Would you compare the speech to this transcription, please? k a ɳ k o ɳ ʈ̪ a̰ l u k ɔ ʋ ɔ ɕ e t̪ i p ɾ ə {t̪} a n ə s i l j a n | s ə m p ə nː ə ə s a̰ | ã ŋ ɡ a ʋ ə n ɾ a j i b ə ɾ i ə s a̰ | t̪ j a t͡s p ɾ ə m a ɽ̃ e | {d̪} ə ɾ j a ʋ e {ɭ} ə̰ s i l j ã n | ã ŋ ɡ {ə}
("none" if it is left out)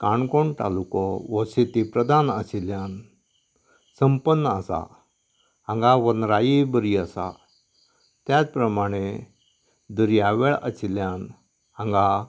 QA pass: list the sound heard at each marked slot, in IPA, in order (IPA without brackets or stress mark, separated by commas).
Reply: d̪, d̪, ɭ, a